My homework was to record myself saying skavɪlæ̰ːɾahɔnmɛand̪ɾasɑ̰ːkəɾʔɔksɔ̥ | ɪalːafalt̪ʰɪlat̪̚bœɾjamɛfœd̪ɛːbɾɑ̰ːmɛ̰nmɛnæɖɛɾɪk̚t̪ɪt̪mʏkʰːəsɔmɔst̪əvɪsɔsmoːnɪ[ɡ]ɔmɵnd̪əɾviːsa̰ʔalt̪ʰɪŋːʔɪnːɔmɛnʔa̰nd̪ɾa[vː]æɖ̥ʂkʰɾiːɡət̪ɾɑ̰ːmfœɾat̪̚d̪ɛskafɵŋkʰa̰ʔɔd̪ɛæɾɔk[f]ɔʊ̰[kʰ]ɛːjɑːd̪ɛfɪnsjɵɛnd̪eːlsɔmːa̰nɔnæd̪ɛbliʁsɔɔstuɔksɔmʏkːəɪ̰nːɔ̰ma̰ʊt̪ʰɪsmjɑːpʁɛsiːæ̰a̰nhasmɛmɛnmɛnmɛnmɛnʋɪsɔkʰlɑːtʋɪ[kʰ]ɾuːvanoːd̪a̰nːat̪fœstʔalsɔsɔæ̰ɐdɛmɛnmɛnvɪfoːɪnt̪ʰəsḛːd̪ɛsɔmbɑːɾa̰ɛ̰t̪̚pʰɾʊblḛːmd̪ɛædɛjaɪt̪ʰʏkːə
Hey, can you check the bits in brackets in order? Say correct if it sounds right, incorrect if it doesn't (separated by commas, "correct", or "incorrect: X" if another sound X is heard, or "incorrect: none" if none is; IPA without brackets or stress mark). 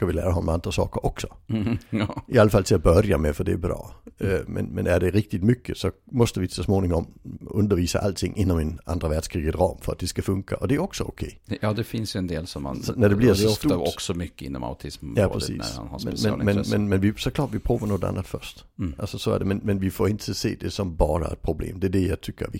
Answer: incorrect: ŋ, incorrect: v, incorrect: s, correct, incorrect: pʰ